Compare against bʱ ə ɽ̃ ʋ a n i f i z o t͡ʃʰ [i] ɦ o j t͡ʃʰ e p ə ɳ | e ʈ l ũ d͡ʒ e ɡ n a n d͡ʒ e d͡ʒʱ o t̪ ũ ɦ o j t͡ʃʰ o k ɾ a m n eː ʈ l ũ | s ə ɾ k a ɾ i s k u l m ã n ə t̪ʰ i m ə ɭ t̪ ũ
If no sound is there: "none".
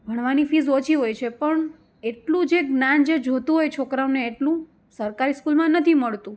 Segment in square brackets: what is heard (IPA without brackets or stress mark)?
i